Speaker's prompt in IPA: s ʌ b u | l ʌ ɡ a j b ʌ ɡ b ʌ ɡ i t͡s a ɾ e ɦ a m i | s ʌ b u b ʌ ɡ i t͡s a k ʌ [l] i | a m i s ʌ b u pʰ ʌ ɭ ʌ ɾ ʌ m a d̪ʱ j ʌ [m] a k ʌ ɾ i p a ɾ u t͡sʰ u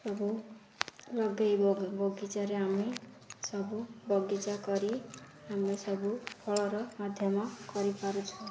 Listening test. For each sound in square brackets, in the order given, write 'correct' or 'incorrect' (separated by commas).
incorrect, correct